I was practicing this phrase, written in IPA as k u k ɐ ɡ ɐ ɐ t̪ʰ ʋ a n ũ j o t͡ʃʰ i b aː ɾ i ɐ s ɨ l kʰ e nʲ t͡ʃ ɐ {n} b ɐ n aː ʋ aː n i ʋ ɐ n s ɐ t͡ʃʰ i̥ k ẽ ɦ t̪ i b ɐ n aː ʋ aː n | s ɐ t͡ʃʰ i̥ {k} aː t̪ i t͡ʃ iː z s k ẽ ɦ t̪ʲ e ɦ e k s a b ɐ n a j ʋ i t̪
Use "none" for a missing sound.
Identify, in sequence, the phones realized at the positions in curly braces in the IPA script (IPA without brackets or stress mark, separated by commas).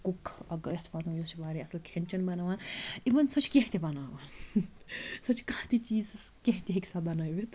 n, k